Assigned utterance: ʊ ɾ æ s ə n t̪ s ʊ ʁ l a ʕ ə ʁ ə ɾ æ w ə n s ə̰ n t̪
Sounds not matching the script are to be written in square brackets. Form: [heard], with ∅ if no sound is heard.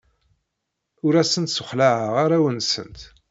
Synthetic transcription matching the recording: ʊ ɾ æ s ə n t̪ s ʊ [χ] l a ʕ ə ʁ [a] ɾ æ w ə n s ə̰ n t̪